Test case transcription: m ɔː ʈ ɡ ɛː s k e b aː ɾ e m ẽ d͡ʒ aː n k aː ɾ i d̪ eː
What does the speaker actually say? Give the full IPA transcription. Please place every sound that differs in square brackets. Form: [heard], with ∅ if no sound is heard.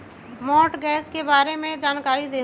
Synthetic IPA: m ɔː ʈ ɡ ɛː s k e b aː ɾ e m ẽ d͡ʒ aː n k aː ɾ i d̪ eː